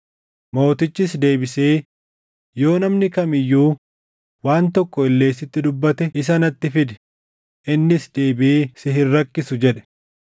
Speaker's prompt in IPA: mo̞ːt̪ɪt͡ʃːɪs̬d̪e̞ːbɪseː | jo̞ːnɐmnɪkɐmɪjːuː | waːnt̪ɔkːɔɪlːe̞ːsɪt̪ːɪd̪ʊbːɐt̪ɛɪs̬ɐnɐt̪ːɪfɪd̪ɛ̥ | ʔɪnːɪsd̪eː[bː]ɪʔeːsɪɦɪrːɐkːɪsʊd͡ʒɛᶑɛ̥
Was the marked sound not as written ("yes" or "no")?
yes